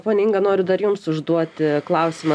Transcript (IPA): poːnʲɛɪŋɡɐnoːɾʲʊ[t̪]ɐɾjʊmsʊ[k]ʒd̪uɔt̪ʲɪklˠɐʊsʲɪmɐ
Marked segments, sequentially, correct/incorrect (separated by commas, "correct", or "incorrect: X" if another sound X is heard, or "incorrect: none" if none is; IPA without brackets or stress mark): incorrect: d̪, incorrect: none